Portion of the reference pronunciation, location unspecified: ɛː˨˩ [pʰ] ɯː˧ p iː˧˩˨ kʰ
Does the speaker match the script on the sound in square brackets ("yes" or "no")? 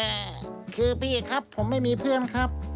no